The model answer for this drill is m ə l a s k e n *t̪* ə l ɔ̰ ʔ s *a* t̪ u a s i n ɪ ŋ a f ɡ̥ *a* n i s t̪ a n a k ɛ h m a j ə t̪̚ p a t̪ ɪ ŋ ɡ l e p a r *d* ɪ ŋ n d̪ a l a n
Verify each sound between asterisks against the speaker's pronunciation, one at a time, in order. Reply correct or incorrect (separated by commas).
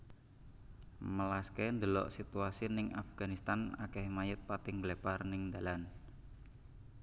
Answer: incorrect, incorrect, correct, incorrect